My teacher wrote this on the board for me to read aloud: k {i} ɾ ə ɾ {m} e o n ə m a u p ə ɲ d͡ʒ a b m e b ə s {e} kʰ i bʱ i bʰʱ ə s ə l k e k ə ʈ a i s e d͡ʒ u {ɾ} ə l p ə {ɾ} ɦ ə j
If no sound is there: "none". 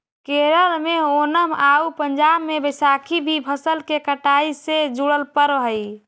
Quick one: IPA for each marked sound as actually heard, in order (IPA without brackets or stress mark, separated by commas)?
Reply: e, m, a, ɽ, ɾ